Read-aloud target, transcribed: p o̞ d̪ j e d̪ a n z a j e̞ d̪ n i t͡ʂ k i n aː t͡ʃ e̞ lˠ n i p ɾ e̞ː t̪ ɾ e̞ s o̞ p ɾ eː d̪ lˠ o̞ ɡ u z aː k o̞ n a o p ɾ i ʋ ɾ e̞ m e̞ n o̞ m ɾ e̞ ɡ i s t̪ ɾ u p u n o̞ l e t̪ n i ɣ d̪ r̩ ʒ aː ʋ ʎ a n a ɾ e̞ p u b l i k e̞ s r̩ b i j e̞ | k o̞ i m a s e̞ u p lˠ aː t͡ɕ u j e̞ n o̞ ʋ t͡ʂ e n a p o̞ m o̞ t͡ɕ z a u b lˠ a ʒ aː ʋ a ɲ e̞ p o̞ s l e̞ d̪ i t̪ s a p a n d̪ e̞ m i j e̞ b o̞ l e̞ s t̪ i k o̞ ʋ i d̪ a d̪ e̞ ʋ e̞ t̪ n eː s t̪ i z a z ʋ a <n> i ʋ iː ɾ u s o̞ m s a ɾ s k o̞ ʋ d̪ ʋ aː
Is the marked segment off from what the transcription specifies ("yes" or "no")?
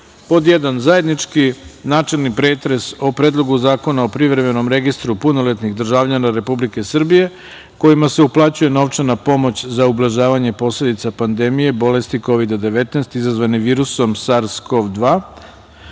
no